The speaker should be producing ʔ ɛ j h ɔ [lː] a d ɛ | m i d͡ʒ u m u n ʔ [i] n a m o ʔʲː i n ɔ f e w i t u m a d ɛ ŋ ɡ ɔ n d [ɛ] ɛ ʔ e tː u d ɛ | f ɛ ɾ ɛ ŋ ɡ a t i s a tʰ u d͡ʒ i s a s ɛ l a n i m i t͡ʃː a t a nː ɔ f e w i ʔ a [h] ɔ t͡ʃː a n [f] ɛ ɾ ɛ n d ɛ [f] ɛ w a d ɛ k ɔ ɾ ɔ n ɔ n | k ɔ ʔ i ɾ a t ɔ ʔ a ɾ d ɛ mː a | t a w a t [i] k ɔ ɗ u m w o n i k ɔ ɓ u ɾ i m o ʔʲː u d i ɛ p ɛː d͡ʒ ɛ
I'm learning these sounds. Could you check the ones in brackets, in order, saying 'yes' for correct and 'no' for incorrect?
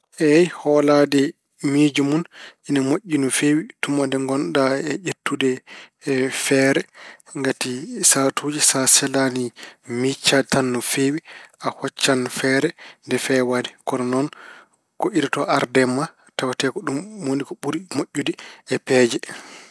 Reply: no, yes, no, yes, yes, yes, no

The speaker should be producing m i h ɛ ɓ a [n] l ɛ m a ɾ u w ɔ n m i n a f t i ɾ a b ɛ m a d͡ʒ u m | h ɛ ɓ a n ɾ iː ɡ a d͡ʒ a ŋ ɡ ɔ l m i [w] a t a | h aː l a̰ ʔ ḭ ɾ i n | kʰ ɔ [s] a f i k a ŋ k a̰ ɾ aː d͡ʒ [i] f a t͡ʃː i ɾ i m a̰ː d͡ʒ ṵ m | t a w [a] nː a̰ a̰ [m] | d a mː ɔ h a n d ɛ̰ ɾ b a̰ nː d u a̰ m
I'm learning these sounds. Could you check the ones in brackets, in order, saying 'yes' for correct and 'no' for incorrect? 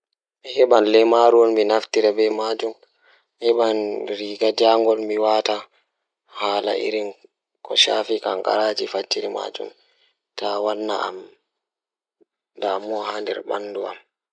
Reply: yes, yes, no, yes, yes, yes

